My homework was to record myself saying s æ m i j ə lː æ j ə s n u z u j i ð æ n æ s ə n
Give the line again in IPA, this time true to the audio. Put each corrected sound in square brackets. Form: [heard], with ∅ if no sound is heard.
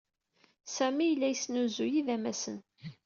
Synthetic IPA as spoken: s æ m i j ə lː æ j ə s n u z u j i ð æ [m] æ s ə n